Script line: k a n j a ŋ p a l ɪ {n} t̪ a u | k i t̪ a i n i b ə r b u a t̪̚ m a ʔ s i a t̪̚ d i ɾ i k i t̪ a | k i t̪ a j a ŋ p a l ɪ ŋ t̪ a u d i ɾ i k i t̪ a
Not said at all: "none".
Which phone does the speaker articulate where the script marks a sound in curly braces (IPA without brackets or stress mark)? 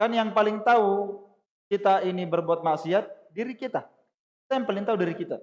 ŋ